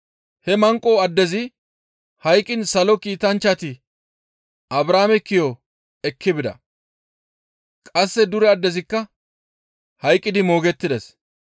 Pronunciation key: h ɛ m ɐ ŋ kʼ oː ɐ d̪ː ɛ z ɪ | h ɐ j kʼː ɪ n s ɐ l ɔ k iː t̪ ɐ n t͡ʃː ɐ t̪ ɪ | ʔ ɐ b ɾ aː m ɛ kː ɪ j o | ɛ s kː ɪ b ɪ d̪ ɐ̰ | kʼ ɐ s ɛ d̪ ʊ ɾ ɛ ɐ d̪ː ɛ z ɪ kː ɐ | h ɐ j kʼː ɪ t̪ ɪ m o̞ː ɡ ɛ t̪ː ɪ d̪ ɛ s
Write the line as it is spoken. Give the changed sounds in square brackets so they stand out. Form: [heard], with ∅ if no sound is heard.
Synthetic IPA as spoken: h ɛ m ɐ ŋ kʼ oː ɐ d̪ː ɛ z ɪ | h ɐ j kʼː ɪ n s ɐ l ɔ k iː t̪ ɐ n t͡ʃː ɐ t̪ ɪ | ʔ ɐ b ɾ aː m ɛ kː ɪ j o | ɛ [∅] kː ɪ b ɪ d̪ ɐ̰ | kʼ ɐ [sː] ɛ d̪ ʊ ɾ ɛ ɐ d̪ː ɛ z ɪ kː ɐ | h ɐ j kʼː ɪ [d̪] ɪ m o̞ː ɡ ɛ t̪ː ɪ d̪ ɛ s